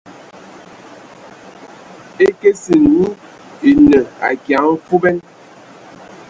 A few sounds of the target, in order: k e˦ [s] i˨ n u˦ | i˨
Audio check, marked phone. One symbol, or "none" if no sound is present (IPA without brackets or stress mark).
s